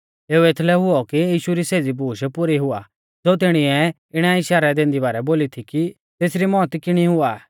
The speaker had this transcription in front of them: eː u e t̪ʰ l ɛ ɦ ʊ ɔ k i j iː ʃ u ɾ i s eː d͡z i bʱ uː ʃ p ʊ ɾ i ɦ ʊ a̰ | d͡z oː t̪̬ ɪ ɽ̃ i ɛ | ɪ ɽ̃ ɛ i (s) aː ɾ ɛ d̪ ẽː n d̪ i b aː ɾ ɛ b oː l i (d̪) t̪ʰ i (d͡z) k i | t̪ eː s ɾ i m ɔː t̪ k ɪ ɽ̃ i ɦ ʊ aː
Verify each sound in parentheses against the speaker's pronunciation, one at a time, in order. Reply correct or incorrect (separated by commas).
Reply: incorrect, incorrect, incorrect